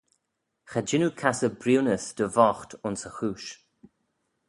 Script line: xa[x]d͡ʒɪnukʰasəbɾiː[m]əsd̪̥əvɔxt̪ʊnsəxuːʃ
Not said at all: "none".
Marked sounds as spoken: none, n

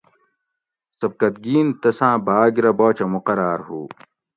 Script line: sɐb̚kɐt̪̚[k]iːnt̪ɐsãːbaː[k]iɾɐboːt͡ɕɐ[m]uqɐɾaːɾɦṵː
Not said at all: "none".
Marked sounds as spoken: ɡ, ɡ, m

